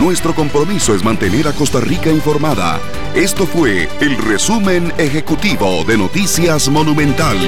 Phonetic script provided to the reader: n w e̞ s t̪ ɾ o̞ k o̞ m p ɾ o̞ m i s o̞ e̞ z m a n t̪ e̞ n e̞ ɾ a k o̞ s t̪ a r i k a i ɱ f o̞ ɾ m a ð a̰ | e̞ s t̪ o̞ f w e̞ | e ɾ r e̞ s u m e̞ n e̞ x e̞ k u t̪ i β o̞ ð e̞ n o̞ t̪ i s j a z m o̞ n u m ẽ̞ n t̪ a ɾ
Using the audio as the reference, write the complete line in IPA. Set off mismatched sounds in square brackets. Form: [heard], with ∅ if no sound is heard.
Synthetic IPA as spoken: n w e̞ s t̪ ɾ o̞ k o̞ m p ɾ o̞ m i s o̞ e̞ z m a n t̪ e̞ n e̞ ɾ a k o̞ s t̪ a r i k a i ɱ f o̞ ɾ m a ð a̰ | e̞ s t̪ o̞ f w e̞ | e [l] r e̞ s u m e̞ n e̞ x e̞ k u t̪ i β o̞ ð e̞ n o̞ t̪ i s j a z m o̞ n u m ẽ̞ n t̪ a [l]